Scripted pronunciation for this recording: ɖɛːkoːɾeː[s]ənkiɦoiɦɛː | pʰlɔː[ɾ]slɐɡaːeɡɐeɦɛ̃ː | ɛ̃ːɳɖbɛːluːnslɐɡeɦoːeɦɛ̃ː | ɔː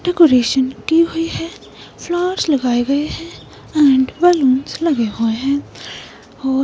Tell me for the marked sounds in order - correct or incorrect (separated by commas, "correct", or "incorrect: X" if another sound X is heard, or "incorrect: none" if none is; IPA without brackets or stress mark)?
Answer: incorrect: ʃ, correct